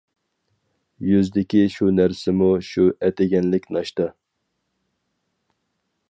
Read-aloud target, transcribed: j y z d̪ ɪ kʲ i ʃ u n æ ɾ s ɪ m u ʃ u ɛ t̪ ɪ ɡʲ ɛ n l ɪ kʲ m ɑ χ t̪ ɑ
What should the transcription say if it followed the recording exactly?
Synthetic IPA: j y z d̪ ɪ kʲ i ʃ u n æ ɾ s ɪ m u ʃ u ɛ t̪ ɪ ɡʲ ɛ n l ɪ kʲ n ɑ ʃ t̪ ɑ